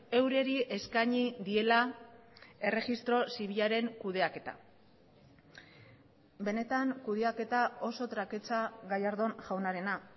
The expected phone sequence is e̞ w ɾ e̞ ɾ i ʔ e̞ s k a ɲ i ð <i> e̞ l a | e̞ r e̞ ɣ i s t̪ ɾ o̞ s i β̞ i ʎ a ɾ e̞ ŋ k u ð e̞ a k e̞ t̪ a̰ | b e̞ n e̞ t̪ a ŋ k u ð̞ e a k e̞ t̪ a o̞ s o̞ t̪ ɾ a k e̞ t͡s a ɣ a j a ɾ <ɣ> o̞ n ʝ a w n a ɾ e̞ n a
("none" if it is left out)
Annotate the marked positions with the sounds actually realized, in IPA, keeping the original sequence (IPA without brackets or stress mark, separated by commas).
i, ð